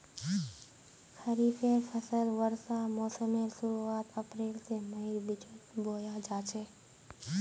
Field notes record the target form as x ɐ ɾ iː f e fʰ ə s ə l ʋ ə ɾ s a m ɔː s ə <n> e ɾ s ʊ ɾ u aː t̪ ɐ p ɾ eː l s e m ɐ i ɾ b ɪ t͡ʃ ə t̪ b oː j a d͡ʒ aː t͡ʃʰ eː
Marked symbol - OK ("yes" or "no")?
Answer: no